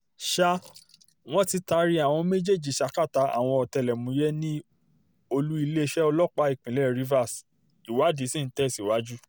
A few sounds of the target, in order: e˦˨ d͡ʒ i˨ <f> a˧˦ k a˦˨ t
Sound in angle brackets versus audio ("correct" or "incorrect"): incorrect